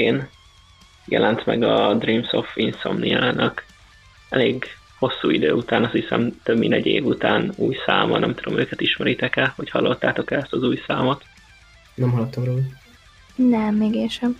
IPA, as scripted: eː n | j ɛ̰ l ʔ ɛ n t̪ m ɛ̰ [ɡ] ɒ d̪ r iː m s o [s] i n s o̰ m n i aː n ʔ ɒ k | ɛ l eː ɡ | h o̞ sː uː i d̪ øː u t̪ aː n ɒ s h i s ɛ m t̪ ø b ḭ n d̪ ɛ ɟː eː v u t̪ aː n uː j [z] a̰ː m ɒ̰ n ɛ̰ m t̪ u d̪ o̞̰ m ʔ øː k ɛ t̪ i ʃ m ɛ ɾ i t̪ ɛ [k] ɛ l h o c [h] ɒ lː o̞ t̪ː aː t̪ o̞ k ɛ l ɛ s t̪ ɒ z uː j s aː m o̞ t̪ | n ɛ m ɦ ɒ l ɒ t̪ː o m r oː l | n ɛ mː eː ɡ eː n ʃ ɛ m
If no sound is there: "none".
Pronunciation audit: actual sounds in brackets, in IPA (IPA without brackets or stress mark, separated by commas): ɡ, f, s, k, h